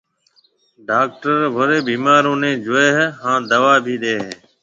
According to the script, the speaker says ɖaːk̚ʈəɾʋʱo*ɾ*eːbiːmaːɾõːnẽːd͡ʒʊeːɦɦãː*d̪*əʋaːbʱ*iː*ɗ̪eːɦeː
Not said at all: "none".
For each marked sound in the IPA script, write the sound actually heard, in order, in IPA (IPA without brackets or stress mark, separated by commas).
ɾ, d̪, iː